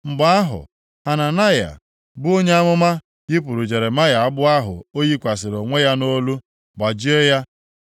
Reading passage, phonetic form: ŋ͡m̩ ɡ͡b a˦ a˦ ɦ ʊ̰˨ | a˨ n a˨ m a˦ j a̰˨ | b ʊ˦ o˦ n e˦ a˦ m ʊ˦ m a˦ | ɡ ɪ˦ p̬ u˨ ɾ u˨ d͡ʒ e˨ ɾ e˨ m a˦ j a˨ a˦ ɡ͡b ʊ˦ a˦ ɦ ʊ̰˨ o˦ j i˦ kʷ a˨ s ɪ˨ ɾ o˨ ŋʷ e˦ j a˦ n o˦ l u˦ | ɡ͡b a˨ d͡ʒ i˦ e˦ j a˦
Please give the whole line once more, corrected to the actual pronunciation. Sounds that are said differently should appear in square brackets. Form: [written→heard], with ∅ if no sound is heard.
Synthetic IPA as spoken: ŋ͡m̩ ɡ͡b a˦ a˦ ɦ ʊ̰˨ | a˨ n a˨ [m→n] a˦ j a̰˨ | b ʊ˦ o˦ [n→ɲ] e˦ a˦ m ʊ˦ m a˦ | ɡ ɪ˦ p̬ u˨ ɾ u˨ d͡ʒ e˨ ɾ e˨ m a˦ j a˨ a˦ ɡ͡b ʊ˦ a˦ ɦ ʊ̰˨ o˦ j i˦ kʷ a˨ s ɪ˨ ɾ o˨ ŋʷ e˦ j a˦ n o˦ l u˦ | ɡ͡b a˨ d͡ʒ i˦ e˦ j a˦

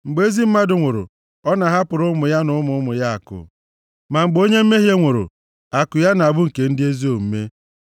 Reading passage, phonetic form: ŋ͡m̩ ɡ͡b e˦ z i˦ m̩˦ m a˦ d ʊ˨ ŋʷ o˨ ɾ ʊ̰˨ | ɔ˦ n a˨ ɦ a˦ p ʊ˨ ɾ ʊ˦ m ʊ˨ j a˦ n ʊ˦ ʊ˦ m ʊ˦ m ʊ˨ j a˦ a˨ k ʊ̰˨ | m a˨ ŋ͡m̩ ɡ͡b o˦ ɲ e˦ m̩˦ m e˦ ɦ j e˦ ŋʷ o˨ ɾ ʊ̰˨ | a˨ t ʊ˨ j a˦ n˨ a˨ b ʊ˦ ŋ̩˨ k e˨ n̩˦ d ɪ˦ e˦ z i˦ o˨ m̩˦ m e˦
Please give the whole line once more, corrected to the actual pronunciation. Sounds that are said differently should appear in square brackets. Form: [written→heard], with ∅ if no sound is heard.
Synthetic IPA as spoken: ŋ͡m̩ ɡ͡b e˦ z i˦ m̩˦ m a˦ d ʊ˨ ŋʷ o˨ ɾ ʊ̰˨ | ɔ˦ n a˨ ɦ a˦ p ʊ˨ ɾ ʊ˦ m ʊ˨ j a˦ n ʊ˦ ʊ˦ m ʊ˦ m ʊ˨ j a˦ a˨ k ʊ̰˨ | m a˨ ŋ͡m̩ ɡ͡b o˦ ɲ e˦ m̩˦ m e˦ ɦ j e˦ ŋʷ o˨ ɾ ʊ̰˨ | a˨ [t→k] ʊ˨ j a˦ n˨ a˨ b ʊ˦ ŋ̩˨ k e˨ n̩˦ d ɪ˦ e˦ z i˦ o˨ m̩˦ m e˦

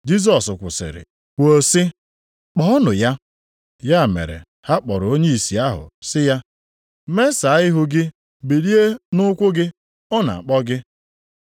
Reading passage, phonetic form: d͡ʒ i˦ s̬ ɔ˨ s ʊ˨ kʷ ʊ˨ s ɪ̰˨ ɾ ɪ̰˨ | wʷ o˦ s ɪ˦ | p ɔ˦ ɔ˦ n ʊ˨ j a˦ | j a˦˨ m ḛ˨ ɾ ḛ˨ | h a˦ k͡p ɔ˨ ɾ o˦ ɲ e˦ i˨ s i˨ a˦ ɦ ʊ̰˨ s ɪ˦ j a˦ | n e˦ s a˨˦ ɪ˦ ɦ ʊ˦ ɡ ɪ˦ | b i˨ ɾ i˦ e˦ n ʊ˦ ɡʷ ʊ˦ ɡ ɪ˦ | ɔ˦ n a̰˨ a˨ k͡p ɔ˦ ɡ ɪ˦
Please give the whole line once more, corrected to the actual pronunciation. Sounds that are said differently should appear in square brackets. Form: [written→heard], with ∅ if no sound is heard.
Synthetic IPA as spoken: d͡ʒ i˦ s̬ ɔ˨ s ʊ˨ kʷ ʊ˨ s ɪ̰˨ ɾ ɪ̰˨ | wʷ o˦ s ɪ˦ | [p→k͡p] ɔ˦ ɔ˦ n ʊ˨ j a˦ | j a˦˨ m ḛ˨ ɾ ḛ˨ | h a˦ k͡p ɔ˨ ɾ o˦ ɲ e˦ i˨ s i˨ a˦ ɦ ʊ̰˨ s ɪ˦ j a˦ | [n→m] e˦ s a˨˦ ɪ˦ ɦ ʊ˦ ɡ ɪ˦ | b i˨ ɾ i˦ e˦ n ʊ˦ [ɡʷ→kʷ] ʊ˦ ɡ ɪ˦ | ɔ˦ n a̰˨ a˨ k͡p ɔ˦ ɡ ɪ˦

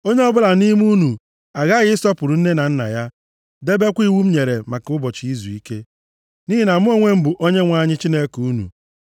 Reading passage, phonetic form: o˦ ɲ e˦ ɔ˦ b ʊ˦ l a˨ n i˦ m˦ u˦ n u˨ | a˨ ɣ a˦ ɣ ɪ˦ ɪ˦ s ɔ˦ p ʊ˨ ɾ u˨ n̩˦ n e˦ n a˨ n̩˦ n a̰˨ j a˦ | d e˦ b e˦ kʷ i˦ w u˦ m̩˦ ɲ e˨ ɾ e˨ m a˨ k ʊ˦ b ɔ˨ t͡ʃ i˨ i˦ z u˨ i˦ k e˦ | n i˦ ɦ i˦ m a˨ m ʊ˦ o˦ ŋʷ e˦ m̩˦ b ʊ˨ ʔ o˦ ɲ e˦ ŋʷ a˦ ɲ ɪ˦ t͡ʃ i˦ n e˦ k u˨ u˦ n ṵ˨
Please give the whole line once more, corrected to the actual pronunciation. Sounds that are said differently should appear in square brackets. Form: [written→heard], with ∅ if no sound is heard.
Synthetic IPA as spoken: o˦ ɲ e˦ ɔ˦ b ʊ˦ l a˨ n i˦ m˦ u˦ n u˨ | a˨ ɣ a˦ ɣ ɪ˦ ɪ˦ s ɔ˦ p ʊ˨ ɾ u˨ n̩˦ n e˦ n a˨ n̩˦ n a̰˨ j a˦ | d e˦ b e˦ kʷ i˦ w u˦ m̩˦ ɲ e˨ ɾ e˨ m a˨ k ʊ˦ b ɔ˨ t͡ʃ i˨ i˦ z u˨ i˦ k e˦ | n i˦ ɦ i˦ [m→n] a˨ m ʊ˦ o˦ ŋʷ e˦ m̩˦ b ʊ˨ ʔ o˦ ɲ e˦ ŋʷ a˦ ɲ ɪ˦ t͡ʃ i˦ n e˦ k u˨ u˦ n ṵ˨

